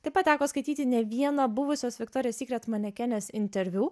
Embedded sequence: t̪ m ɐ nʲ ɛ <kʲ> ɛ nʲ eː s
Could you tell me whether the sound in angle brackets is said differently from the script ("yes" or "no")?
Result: no